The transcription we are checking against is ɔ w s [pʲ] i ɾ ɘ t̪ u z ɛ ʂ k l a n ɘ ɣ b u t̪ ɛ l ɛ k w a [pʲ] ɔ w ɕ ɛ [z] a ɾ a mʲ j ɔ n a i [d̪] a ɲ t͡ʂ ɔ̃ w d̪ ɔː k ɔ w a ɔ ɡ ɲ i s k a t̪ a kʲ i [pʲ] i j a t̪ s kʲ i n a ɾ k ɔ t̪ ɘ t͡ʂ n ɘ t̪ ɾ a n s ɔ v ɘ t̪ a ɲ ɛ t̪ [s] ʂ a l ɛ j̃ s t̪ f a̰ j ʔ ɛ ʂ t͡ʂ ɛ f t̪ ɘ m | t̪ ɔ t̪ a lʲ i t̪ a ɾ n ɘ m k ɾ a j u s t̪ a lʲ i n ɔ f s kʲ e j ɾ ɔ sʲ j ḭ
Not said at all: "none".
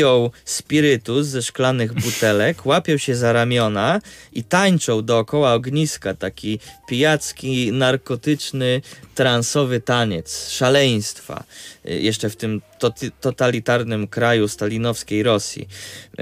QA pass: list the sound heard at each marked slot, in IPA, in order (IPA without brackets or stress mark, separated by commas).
pʲ, pʲ, z, t̪, pʲ, s